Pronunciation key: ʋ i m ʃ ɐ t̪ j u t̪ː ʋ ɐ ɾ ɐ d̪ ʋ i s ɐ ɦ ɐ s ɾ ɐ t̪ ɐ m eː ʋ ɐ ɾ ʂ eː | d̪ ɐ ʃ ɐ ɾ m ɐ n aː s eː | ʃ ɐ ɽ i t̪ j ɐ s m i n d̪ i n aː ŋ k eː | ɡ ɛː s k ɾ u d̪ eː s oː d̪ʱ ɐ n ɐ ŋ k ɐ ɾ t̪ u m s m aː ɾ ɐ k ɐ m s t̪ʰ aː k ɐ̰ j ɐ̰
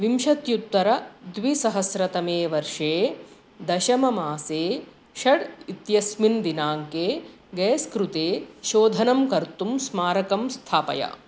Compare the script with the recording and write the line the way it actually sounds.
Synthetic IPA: ʋ i m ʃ ɐ t̪ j u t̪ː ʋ ɐ ɾ ɐ d̪ ʋ i s ɐ ɦ ɐ s ɾ ɐ t̪ ɐ m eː ʋ ɐ ɾ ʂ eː | d̪ ɐ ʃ ɐ m ɐ m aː s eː | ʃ ɐ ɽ i t̪ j ɐ s m i n d̪ i n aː ŋ k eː | ɡ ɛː s k ɾ u t̪ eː ʃ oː d̪ʱ ɐ n ɐ m k ɐ ɾ t̪ u m s m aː ɾ ɐ k ɐ m s t̪ʰ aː p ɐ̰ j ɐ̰